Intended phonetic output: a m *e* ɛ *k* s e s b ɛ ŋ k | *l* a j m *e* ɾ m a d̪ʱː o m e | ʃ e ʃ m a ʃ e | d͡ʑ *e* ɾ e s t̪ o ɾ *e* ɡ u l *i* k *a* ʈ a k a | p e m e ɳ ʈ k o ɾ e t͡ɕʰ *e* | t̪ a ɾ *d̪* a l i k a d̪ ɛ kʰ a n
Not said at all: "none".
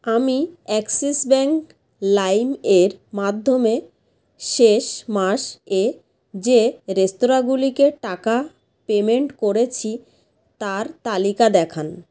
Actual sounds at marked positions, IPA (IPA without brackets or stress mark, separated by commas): i, k, l, e, e, a, i, e, i, t̪